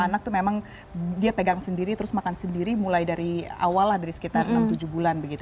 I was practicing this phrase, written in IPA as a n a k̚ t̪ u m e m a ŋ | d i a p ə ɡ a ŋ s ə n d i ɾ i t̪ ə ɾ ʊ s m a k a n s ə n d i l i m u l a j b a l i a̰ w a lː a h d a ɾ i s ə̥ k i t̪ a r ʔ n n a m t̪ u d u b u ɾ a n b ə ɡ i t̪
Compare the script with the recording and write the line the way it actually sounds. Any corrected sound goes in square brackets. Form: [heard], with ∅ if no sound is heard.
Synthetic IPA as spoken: a n a k̚ t̪ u m e m a ŋ | d i a p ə ɡ a ŋ s ə n d i ɾ i t̪ ə ɾ ʊ s m a k a n s ə n d i [ɾ] i m u l a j [d] a [ɾ] i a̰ w a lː a h d a ɾ i s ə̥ k i t̪ a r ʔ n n a m t̪ u [d͡ʒ] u b u [l] a n b ə ɡ i t̪